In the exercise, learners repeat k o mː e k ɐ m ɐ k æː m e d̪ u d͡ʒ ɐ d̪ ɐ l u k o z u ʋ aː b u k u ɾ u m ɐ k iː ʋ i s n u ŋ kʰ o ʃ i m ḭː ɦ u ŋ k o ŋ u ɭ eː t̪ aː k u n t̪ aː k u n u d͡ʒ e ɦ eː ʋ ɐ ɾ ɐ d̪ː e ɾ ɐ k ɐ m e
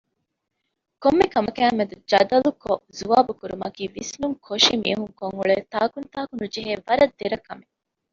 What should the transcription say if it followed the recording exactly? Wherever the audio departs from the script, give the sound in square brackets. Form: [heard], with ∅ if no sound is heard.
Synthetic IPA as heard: k o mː e k ɐ m ɐ k æː m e d̪ u d͡ʒ ɐ d̪ ɐ l u k o z u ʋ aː b u k u ɾ u m ɐ k iː ʋ i s n u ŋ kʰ o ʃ i m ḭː ɦ u ŋ k o ŋ u ɭ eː t̪ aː k u n t̪ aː k u n u d͡ʒ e ɦ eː ʋ ɐ ɾ ɐ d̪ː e ɾ ɐ k ɐ m e